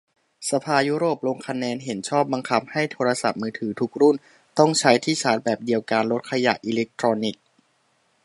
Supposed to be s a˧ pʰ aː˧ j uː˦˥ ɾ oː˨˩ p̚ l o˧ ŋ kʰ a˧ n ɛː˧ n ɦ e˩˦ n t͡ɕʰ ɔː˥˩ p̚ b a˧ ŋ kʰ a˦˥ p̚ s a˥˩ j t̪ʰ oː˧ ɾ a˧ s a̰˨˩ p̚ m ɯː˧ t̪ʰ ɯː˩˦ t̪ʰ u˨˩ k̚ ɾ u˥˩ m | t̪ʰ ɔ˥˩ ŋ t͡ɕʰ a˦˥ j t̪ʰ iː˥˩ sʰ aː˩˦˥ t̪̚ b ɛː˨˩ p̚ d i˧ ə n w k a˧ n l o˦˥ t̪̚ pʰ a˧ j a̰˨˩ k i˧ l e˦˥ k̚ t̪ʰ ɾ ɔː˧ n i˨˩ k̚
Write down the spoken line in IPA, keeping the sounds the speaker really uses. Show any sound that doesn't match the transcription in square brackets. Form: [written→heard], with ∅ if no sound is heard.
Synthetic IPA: s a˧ pʰ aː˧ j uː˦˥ ɾ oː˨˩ p̚ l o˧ ŋ kʰ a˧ n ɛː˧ n ɦ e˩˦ n t͡ɕʰ ɔː˥˩ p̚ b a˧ ŋ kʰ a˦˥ p̚ [s→h] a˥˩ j t̪ʰ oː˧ ɾ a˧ s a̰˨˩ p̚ m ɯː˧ t̪ʰ ɯː˩˦ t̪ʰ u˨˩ k̚ ɾ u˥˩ [m→n] | [t̪ʰ→t̪] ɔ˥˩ ŋ t͡ɕʰ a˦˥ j t̪ʰ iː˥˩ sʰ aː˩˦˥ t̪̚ b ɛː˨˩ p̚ d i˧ ə [n→∅] w k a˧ n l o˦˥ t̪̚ [pʰ→kʰ] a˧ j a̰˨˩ [k→ʔ] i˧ l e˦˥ k̚ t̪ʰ ɾ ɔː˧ n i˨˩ k̚